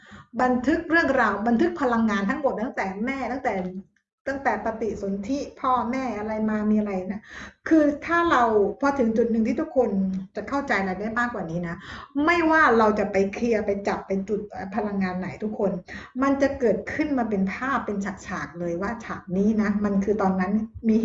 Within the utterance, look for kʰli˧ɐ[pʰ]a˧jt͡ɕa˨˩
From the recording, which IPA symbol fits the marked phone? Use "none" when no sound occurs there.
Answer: p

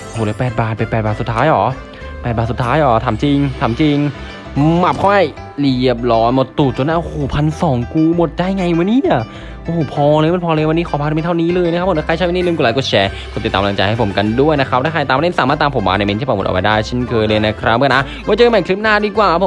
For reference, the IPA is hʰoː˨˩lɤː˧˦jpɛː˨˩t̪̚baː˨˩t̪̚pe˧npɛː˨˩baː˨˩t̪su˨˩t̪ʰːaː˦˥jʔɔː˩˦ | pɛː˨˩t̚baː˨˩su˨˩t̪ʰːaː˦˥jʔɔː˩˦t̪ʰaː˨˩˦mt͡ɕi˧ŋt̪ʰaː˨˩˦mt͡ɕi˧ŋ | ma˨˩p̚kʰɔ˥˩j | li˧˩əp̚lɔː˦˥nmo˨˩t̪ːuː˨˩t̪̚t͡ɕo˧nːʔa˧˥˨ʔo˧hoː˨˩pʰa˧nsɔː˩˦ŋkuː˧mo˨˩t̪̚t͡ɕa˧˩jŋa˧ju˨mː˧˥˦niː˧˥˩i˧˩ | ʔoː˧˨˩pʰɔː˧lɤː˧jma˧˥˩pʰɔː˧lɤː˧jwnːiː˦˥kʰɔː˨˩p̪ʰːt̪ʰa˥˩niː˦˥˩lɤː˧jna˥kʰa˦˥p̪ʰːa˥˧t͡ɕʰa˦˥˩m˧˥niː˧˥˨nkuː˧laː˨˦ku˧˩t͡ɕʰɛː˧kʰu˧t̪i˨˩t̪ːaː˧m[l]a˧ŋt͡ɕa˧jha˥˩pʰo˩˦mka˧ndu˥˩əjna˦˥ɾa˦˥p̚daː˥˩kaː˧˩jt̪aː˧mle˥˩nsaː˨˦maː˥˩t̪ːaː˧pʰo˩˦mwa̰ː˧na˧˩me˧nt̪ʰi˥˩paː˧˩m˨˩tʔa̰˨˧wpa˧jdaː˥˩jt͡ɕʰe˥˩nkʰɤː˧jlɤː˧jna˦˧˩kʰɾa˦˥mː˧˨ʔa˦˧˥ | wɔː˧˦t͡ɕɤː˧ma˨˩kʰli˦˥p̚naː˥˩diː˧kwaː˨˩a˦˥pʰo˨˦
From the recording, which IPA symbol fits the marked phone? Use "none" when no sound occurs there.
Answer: l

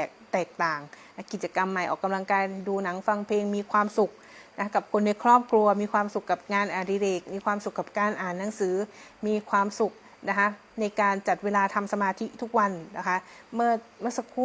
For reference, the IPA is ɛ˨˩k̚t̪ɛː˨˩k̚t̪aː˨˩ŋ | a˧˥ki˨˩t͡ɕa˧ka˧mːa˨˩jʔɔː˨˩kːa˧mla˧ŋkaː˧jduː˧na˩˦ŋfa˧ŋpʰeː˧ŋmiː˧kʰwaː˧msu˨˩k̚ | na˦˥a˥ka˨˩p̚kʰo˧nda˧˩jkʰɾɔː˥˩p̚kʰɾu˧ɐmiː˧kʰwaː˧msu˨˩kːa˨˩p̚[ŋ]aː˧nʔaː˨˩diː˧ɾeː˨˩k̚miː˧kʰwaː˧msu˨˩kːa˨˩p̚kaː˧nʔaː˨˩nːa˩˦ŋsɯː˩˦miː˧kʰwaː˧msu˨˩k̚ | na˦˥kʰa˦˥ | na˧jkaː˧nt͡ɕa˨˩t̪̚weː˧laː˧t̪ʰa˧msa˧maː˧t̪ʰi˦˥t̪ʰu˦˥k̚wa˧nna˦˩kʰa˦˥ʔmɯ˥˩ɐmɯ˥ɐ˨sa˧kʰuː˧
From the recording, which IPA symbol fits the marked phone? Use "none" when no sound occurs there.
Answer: ŋ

